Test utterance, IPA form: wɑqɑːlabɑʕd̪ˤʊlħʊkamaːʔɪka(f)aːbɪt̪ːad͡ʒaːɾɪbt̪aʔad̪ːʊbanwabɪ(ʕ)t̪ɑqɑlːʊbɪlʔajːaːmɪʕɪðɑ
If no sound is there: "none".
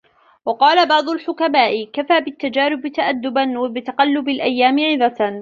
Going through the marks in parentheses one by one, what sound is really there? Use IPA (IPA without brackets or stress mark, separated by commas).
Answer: f, none